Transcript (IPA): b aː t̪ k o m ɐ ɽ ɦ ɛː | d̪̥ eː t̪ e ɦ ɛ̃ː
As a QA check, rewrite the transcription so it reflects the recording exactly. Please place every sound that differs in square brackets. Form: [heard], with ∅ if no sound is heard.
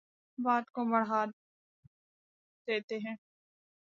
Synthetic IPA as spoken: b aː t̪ k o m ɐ ɽ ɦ [aː] | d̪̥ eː t̪ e ɦ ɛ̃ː